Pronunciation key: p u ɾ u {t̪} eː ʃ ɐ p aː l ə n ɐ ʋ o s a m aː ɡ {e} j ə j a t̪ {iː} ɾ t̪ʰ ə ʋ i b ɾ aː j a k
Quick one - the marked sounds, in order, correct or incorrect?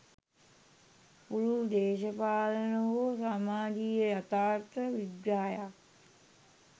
incorrect, incorrect, incorrect

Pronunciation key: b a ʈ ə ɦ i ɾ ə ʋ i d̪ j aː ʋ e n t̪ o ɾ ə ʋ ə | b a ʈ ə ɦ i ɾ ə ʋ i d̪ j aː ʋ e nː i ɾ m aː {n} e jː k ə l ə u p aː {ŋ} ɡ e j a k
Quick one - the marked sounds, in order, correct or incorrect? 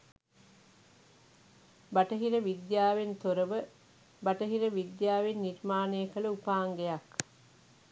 correct, correct

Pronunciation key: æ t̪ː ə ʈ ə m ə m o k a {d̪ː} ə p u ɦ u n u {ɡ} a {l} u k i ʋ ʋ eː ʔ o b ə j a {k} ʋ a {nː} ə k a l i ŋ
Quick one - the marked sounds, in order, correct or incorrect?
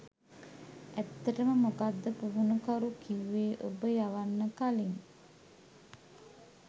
correct, incorrect, incorrect, incorrect, correct

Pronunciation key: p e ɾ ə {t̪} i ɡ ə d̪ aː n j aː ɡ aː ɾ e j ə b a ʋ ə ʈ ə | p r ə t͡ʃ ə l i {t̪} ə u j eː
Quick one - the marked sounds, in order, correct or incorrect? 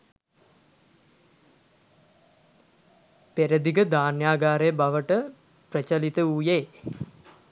incorrect, correct

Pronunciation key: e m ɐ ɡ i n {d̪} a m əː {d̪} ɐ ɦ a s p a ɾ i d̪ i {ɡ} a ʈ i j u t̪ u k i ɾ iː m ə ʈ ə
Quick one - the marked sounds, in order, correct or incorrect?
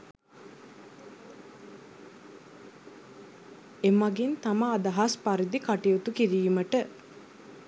incorrect, correct, incorrect

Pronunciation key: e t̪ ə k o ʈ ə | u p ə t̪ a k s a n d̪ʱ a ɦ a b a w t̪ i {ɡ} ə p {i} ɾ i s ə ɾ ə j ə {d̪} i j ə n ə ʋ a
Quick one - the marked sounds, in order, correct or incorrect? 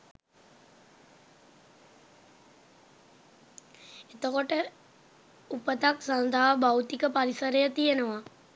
incorrect, incorrect, incorrect

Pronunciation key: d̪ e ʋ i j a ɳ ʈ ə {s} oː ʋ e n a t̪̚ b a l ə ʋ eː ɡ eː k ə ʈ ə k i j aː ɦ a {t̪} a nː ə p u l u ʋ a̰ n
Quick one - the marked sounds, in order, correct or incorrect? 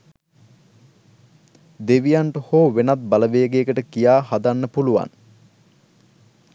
incorrect, incorrect

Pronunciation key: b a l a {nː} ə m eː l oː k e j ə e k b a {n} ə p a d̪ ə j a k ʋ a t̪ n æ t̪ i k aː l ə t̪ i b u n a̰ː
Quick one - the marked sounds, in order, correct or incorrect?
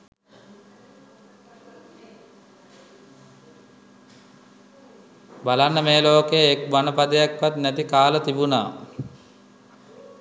correct, correct

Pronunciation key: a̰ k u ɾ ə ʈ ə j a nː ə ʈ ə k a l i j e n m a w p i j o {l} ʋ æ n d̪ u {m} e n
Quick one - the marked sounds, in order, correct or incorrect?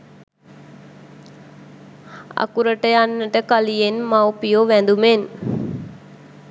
incorrect, correct

